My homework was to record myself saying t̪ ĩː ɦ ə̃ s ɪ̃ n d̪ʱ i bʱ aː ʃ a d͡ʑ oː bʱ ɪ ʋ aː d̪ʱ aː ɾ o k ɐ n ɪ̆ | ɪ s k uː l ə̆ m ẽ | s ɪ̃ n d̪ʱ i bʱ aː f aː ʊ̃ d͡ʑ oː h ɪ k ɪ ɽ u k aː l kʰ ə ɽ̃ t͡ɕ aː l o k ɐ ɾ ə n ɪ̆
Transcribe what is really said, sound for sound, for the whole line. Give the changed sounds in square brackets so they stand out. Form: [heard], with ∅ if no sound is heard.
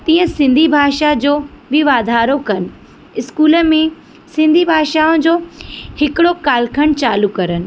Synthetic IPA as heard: t̪ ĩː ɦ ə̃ s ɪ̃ n d̪ʱ i bʱ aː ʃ a d͡ʑ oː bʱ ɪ ʋ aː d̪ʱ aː ɾ o k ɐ n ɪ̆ | ɪ s k uː l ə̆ m ẽ | s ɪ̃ n d̪ʱ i bʱ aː [ʃ] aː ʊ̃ d͡ʑ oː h ɪ k ɪ ɽ [o] k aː l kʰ ə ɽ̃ t͡ɕ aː l [u] k ɐ ɾ ə n ɪ̆